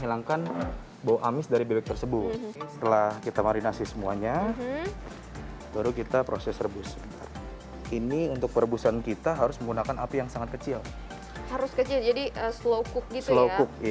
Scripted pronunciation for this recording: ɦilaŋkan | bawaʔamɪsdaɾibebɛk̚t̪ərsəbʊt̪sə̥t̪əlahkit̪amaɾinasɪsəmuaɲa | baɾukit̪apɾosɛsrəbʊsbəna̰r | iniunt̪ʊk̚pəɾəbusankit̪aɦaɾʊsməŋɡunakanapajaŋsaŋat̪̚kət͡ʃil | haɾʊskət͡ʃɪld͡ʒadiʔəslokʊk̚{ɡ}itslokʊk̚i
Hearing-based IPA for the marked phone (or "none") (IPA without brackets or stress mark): ɡ